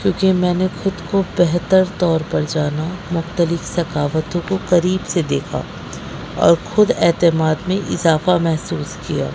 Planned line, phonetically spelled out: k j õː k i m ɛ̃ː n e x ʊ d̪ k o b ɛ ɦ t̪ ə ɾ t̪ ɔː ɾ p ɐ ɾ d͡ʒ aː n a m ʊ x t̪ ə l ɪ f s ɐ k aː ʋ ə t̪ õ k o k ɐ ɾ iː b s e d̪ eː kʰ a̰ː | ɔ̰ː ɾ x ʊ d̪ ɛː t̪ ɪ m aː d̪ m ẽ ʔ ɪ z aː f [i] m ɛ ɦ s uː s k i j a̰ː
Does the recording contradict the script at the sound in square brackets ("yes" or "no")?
yes